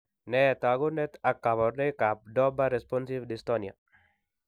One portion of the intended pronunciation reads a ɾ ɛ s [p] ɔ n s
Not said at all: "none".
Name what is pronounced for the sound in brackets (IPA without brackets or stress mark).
p